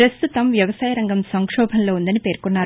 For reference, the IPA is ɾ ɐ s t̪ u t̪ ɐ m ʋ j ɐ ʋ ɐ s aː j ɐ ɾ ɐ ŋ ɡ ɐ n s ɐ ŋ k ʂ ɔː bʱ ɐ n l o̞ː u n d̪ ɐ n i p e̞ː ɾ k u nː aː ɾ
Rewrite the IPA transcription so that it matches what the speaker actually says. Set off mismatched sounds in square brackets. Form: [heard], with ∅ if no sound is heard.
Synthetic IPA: ɾ ɐ s t̪ u t̪ ɐ m ʋ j ɐ ʋ ɐ s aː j ɐ ɾ ɐ ŋ ɡ ɐ [m] s ɐ ŋ k ʂ ɔː bʱ ɐ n l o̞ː u n d̪ ɐ n i p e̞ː ɾ k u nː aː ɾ